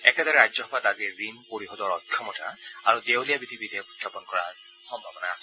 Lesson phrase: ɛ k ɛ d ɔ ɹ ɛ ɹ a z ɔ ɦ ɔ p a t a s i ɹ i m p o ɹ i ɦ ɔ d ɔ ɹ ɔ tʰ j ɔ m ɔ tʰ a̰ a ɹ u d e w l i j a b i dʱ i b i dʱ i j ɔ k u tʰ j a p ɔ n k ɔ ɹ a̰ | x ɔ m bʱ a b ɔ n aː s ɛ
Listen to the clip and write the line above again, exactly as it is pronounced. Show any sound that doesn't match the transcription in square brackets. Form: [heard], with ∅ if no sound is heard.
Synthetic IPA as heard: ɛ k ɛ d ɔ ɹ ɛ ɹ a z ɔ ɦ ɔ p a t a [z] i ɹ i m p o ɹ i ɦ ɔ d ɔ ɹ ɔ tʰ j ɔ m ɔ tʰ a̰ a ɹ u d e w l i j a b i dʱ i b i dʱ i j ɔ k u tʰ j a p ɔ n k ɔ ɹ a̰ | x ɔ m bʱ a b ɔ n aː s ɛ

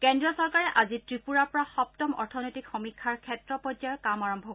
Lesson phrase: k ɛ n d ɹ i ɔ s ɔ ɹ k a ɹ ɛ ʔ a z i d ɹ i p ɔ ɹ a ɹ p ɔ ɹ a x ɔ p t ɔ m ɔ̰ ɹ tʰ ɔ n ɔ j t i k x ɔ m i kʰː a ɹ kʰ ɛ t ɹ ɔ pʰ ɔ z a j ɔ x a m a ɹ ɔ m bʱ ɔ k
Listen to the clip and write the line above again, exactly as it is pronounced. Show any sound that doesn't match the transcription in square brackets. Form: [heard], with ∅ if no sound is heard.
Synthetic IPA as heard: k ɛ n d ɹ i ɔ s ɔ ɹ k a ɹ ɛ ʔ a z i [t] ɹ i p [u] ɹ a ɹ p ɔ ɹ a x ɔ p t ɔ m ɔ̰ ɹ tʰ ɔ n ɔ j t i k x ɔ m i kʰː a ɹ kʰ ɛ t ɹ ɔ [p] ɔ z a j ɔ [k] a m a ɹ ɔ m bʱ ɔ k

